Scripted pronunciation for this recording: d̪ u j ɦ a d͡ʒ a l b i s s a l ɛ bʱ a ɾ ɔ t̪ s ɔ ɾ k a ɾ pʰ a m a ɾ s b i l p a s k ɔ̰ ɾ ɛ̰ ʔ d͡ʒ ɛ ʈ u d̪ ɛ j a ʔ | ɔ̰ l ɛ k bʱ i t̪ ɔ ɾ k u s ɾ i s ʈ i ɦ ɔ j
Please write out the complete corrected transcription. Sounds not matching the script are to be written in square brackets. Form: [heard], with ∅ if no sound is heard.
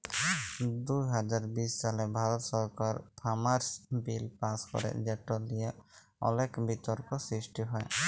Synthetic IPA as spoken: d̪ u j ɦ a d͡ʒ a [ɾ] b i s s a l ɛ bʱ a ɾ ɔ t̪ s ɔ ɾ k a ɾ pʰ a m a ɾ s b i l p a s k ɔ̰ ɾ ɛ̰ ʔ d͡ʒ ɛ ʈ [ɔ] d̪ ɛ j a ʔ | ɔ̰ l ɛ k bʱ i t̪ ɔ ɾ k [ɔ] s ɾ i s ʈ i ɦ ɔ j

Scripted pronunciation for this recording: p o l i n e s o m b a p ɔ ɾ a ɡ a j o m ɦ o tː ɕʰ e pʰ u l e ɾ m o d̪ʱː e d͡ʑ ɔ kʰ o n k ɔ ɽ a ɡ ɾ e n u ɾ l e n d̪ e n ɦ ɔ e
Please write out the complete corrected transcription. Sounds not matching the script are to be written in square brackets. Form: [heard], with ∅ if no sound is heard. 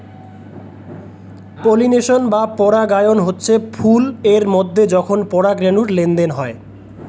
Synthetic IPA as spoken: p o l i n e [ʃ] o [n] b a p ɔ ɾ a ɡ a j o [n] ɦ o tː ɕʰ e pʰ u l e ɾ m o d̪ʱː e d͡ʑ ɔ kʰ o n [p] ɔ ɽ a ɡ ɾ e n u ɾ l e n d̪ e n ɦ ɔ e

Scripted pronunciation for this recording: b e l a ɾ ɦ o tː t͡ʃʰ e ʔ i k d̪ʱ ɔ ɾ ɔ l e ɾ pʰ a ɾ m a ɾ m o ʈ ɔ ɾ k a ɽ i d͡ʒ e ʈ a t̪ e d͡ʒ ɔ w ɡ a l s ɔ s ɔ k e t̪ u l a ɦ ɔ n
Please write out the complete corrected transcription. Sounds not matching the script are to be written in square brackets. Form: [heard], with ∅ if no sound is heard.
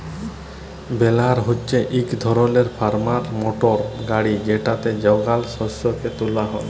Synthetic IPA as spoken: b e l a ɾ ɦ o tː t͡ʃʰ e ʔ i k d̪ʱ ɔ ɾ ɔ l e ɾ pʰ a ɾ m a ɾ m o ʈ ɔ ɾ [ɡ] a ɽ i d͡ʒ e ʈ a t̪ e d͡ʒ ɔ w ɡ a l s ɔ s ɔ k e t̪ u l a ɦ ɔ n

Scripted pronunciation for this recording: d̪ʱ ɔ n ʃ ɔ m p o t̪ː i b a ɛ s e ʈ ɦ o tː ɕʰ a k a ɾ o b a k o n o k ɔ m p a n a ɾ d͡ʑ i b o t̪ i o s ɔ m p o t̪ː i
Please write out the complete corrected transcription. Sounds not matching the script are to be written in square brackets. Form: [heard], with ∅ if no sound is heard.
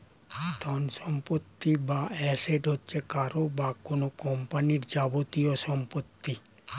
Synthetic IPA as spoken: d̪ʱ ɔ n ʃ ɔ m p o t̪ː i b a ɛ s e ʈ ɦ o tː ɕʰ [e] k a ɾ o b a k o n o k ɔ m p a n [i] ɾ d͡ʑ [a] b o t̪ i o [ʃ] ɔ m p o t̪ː i

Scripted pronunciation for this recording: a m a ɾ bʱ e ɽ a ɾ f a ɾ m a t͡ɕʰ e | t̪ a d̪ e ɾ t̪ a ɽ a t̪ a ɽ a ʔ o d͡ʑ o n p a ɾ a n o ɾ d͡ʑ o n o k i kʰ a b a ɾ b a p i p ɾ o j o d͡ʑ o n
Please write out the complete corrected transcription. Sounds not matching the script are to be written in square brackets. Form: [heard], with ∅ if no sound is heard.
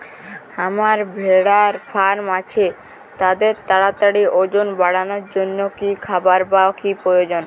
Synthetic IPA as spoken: a m a ɾ bʱ e ɽ a ɾ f a ɾ m a t͡ɕʰ e | t̪ a d̪ e ɾ t̪ a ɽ a t̪ a ɽ [i] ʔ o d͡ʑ o n [b] a [ɽ] a n o ɾ d͡ʑ o [nː] o k i kʰ a b a ɾ b a [k] i p ɾ o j o d͡ʑ o n

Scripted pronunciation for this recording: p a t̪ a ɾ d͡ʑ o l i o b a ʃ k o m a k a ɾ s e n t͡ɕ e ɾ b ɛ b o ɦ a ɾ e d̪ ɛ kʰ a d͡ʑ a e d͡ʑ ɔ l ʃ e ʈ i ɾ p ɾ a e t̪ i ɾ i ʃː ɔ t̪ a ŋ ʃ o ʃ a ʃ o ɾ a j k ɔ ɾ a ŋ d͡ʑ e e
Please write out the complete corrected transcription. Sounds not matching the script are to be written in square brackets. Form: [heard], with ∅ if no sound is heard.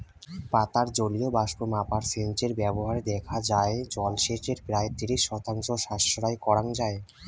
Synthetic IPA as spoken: p a t̪ a ɾ d͡ʑ o l i o b a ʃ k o m a [p] a ɾ s e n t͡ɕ e ɾ b ɛ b o ɦ a ɾ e d̪ ɛ kʰ a d͡ʑ a e d͡ʑ ɔ l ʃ e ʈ [e] ɾ p ɾ a e t̪ i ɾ i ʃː ɔ t̪ a ŋ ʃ o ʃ a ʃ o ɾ a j k ɔ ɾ a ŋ d͡ʑ [a] e

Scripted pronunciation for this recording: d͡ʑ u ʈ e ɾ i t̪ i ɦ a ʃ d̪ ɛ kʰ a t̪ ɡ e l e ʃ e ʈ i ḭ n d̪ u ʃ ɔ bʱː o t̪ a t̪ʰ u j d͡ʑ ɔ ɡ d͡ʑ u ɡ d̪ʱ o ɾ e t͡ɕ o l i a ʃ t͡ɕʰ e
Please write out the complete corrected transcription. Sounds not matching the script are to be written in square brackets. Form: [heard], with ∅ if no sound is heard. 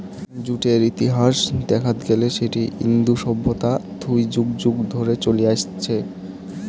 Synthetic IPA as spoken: d͡ʑ u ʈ e ɾ i t̪ i ɦ a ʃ d̪ ɛ kʰ a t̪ ɡ e l e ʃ e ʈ i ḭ n d̪ u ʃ ɔ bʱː o t̪ a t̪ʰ u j d͡ʑ [u] ɡ d͡ʑ u ɡ d̪ʱ o ɾ e t͡ɕ o l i a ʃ t͡ɕʰ e

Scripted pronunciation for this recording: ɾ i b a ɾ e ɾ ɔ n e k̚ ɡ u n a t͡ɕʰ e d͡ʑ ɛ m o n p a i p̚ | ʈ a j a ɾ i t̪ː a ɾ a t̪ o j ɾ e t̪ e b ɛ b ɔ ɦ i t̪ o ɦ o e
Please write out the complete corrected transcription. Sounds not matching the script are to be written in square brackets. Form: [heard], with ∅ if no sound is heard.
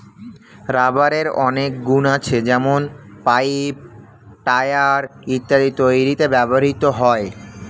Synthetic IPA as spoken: ɾ [a] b a ɾ e ɾ ɔ n e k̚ ɡ u n a t͡ɕʰ e d͡ʑ ɛ m o n p a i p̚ | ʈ a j a ɾ i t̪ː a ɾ [i] t̪ o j ɾ [i] t̪ e b ɛ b [o] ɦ i t̪ o ɦ [ɔ] e

